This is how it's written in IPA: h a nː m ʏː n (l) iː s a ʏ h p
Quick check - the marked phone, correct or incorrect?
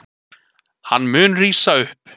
incorrect